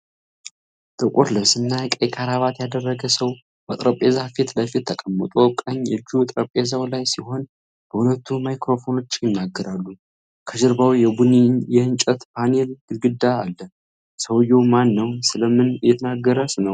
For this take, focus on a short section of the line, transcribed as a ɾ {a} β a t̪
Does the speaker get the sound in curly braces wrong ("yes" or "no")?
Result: no